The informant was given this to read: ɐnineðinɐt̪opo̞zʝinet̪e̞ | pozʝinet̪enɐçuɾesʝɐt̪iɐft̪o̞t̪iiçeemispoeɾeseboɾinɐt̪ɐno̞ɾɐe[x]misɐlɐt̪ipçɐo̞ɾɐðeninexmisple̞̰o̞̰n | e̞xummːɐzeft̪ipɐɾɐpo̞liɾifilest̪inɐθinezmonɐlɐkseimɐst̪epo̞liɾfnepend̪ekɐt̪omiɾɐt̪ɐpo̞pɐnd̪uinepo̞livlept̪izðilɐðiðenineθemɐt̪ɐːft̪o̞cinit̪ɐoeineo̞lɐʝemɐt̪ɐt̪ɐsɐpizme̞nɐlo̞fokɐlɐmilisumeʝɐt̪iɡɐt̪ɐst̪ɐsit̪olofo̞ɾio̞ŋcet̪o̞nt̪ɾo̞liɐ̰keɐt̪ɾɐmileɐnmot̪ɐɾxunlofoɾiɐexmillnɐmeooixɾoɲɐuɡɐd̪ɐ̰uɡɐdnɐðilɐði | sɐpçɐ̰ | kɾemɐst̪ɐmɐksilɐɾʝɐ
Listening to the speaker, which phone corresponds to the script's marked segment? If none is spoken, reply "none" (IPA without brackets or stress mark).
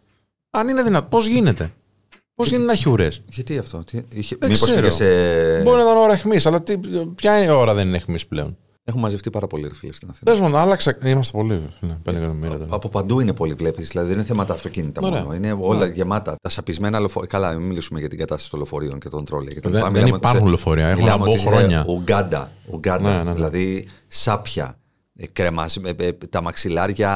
x